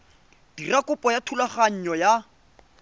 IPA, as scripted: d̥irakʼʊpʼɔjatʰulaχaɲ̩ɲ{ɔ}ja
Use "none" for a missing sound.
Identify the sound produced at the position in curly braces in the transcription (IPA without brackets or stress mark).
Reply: ɔ